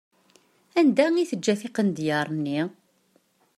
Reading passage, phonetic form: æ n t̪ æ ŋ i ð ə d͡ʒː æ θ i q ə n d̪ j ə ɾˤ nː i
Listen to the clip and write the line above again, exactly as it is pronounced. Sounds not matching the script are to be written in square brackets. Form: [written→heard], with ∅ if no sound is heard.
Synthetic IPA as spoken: æ n [t̪→d̪] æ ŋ i [ð→θ] ə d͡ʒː æ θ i q ə n d̪ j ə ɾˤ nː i